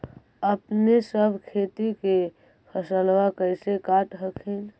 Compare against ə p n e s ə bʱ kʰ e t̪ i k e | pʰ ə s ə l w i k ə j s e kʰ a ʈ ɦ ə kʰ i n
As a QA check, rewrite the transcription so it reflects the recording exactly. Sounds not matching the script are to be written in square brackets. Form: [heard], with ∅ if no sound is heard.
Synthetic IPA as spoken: ə p n e s ə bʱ kʰ e t̪ i k e | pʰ ə s ə l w [a] k ə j s e [k] a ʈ ɦ ə kʰ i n